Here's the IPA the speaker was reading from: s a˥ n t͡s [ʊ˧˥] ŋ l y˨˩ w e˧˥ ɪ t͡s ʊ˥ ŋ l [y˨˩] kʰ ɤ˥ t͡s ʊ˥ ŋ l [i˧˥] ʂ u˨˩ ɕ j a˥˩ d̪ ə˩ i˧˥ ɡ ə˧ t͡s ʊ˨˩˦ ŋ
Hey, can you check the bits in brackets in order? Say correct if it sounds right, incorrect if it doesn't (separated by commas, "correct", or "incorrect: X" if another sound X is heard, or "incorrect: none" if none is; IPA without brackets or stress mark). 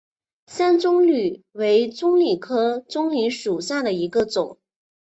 incorrect: ʊ˥, incorrect: i˨˩, correct